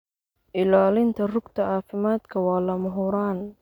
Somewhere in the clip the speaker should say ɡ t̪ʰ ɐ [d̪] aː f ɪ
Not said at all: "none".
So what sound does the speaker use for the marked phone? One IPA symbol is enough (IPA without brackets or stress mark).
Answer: none